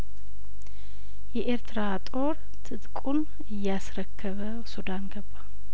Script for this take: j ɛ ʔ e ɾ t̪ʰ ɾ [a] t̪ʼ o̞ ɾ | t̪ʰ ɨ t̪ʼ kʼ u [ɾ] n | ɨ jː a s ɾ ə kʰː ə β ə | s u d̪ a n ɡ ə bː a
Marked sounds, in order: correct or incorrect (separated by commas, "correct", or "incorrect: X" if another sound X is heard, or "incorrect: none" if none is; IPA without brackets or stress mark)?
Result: correct, incorrect: none